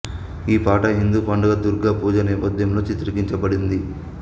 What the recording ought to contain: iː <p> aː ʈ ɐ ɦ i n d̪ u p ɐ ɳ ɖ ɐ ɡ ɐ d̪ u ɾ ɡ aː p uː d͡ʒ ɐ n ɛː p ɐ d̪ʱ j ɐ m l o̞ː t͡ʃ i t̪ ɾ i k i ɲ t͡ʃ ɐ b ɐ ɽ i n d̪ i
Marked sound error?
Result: no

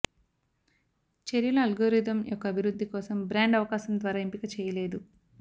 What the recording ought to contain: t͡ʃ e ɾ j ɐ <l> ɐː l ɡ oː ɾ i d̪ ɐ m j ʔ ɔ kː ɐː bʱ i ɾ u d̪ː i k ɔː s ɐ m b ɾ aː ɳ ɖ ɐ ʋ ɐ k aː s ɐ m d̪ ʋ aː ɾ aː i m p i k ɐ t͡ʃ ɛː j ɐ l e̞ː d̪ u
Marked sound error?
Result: no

